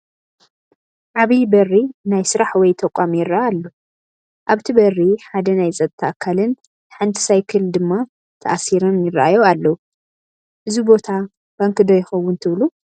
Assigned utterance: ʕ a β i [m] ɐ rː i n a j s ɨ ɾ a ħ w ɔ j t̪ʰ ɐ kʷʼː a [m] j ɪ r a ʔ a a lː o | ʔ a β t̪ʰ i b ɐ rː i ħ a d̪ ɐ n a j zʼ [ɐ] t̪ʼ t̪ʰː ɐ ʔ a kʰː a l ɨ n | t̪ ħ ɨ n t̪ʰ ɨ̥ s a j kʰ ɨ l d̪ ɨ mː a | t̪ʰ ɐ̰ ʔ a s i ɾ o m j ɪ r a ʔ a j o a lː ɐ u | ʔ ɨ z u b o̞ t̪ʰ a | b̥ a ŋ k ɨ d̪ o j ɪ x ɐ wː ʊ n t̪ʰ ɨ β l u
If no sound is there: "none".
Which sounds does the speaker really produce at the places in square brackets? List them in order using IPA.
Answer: b, m, ɐ

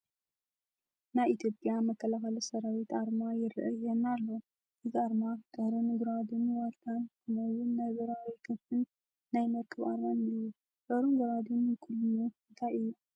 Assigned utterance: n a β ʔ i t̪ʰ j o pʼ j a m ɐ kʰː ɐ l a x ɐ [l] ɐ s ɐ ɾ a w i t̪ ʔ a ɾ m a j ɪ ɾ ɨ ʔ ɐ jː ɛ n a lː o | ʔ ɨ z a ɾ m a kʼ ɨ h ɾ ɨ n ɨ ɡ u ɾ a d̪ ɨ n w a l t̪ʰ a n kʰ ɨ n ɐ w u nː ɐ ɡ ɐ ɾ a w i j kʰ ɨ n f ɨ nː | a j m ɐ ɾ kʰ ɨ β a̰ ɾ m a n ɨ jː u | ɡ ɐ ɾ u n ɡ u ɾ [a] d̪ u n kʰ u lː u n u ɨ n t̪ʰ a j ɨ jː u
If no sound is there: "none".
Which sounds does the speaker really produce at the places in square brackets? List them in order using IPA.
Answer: l, a

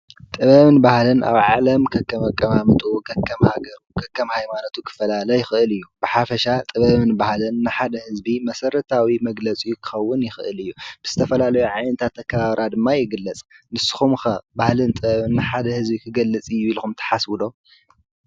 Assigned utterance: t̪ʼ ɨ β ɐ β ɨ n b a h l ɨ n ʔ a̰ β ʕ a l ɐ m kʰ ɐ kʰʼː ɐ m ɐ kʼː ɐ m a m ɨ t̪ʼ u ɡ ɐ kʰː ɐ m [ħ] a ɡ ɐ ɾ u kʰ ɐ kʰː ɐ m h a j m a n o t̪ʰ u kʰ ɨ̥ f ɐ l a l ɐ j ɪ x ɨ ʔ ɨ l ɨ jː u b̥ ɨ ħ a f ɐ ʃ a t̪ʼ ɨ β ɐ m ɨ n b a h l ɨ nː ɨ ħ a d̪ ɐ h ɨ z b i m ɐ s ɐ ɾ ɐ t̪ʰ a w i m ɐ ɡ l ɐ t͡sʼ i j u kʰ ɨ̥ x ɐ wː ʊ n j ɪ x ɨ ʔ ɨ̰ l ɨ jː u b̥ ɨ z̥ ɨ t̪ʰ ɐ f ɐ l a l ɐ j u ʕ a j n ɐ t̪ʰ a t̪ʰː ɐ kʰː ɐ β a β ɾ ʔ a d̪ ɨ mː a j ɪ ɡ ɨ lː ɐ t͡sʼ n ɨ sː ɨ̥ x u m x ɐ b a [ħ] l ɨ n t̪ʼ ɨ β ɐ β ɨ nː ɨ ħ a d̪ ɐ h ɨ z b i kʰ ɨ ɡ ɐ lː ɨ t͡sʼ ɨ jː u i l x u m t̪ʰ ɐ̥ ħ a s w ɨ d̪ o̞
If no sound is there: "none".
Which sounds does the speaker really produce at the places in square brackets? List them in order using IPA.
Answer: h, h

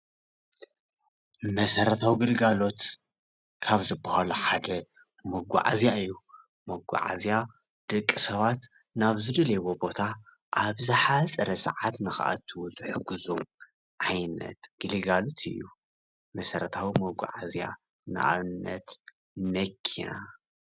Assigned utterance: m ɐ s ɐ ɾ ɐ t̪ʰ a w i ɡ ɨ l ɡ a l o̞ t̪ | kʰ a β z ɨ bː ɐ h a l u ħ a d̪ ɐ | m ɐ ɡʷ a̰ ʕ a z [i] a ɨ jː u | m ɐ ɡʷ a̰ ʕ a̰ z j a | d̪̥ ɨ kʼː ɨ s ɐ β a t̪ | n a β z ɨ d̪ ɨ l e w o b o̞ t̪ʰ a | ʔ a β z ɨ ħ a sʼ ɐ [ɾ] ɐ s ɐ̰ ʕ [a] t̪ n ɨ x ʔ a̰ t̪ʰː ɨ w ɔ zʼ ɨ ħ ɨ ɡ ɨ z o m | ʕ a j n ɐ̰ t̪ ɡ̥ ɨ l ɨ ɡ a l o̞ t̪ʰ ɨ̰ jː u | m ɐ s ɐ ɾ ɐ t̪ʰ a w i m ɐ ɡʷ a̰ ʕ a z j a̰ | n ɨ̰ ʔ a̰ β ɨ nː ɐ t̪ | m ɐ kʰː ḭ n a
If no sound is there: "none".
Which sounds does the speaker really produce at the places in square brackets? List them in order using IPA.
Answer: j, ɾ, a

